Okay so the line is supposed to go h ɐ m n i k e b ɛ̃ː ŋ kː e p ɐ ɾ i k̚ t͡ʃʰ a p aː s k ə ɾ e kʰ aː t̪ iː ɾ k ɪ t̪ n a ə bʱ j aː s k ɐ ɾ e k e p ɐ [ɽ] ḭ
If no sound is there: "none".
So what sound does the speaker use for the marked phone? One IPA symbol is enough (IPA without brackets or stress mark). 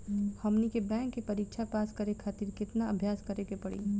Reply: ɽ